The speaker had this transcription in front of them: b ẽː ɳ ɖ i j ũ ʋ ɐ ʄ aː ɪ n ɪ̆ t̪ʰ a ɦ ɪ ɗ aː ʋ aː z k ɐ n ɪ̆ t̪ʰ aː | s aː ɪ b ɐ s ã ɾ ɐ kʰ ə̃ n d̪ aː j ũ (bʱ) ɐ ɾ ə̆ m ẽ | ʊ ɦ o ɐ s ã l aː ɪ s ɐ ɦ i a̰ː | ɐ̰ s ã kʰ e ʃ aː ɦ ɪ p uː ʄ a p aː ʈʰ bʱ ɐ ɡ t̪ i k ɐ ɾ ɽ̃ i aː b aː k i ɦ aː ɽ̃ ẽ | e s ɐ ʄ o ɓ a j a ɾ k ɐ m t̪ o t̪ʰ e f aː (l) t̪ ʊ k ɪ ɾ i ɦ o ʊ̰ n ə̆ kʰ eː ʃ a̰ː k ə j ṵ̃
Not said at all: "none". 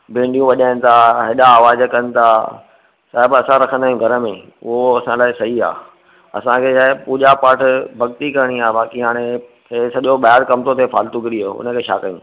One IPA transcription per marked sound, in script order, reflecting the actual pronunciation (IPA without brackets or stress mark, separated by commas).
ɡʱ, l